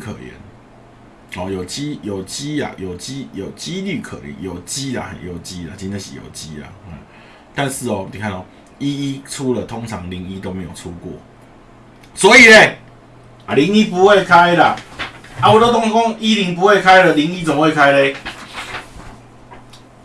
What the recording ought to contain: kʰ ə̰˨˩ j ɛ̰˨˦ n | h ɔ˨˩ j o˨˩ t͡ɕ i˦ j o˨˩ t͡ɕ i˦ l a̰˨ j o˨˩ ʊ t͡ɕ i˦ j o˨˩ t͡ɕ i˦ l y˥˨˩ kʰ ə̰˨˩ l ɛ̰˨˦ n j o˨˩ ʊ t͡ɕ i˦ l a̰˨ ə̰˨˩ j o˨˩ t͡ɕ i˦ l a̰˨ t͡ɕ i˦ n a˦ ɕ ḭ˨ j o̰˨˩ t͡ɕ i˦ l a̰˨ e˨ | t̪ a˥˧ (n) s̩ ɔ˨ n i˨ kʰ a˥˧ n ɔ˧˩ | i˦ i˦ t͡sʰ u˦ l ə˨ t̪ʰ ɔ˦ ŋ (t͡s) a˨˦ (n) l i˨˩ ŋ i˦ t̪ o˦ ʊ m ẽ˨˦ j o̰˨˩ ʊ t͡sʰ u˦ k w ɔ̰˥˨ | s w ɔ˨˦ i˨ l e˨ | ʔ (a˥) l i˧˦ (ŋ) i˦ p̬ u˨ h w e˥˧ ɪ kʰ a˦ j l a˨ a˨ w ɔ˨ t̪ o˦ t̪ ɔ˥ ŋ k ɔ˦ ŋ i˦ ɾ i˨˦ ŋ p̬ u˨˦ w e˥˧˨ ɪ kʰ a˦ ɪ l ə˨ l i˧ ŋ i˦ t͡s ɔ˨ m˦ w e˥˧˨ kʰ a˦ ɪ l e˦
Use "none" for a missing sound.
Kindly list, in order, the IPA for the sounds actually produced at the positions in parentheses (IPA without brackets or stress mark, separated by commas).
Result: n, t͡sʰ, ŋ, a˨, ŋ